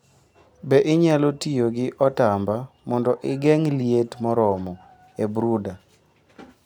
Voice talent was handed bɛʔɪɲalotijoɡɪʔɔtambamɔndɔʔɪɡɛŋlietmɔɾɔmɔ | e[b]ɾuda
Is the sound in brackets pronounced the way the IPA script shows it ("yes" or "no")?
yes